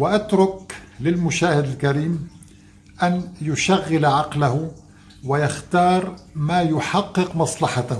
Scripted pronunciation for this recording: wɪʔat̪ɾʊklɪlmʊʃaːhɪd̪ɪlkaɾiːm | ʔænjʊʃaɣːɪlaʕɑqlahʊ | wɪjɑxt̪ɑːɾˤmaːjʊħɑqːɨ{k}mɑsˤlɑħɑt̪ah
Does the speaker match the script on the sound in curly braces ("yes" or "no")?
no